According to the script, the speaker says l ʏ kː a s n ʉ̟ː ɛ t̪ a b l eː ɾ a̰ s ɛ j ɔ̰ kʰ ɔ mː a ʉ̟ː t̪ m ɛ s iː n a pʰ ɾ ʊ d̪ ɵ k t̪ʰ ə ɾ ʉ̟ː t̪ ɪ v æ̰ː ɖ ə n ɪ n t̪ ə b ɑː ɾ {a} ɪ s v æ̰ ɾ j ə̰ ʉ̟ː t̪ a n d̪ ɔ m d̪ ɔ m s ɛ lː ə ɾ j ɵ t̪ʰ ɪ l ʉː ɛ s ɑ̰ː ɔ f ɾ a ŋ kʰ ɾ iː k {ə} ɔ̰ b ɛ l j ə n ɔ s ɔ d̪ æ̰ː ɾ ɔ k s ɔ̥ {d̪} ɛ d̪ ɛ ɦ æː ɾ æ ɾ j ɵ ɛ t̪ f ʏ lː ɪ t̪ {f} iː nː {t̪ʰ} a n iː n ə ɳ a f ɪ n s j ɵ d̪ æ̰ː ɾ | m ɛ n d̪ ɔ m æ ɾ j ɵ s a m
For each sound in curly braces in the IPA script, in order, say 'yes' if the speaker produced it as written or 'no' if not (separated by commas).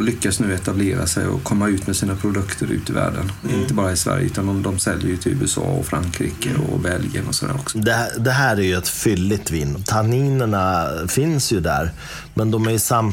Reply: yes, yes, yes, no, yes